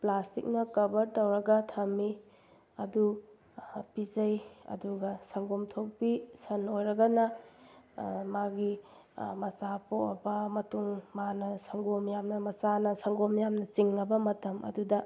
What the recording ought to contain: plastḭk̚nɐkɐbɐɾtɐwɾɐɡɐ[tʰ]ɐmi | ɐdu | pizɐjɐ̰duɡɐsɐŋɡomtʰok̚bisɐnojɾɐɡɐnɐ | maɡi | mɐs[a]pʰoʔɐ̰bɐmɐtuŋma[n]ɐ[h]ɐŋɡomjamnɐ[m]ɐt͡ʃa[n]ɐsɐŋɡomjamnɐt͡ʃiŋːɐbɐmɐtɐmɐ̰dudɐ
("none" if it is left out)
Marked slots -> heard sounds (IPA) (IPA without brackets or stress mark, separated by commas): tʰ, a, n, s, m, n